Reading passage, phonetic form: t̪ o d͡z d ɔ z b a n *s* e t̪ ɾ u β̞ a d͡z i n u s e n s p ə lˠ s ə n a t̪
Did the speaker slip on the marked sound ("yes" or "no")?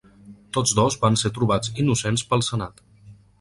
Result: no